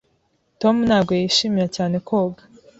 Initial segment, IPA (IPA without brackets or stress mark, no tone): t